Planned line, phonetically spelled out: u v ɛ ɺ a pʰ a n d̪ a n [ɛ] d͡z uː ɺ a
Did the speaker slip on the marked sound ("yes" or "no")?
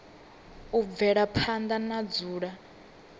yes